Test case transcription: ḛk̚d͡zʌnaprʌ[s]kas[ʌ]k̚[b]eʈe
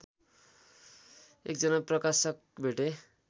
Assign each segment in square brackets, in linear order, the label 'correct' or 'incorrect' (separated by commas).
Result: incorrect, correct, correct